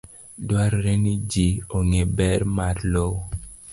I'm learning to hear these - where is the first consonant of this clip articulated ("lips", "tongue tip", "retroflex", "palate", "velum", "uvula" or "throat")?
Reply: tongue tip